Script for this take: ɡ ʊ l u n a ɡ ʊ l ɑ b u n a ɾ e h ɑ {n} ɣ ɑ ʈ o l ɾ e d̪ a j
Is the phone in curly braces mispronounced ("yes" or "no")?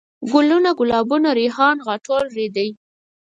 no